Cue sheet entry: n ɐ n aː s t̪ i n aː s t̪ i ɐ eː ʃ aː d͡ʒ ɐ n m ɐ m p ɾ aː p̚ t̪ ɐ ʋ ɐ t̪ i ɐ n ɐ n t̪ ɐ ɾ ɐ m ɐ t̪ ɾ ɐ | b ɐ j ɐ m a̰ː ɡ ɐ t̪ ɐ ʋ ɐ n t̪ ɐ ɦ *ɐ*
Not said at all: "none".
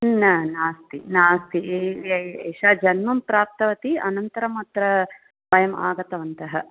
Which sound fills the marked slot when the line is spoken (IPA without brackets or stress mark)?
ɐ